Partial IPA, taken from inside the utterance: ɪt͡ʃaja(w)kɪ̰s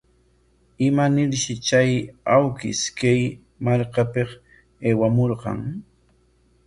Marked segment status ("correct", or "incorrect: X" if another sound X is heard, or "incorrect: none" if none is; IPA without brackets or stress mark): correct